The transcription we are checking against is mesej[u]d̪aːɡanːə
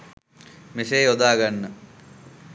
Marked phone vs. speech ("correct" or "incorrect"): incorrect